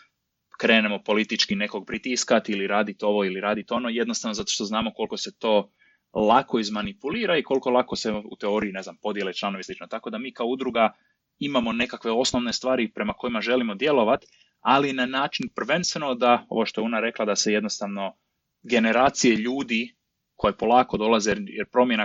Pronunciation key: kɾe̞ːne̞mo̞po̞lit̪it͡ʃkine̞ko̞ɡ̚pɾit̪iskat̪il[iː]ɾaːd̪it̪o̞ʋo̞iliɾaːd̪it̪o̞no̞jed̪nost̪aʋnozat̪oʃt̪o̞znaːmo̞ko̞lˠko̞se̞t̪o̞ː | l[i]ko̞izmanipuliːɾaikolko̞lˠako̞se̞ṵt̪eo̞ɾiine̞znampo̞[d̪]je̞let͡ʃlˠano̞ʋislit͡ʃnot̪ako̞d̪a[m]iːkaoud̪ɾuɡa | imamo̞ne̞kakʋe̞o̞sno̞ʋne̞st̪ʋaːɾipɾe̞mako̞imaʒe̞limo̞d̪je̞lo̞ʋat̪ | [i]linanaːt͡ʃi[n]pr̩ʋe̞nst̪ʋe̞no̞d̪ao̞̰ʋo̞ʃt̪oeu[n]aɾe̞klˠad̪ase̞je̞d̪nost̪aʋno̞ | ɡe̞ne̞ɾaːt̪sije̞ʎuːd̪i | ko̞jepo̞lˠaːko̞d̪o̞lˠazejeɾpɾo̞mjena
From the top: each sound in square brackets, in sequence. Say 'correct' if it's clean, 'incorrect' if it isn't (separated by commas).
incorrect, incorrect, correct, correct, incorrect, correct, correct